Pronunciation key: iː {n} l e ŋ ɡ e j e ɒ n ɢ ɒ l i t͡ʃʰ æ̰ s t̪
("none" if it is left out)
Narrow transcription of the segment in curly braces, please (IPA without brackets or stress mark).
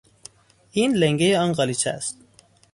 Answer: n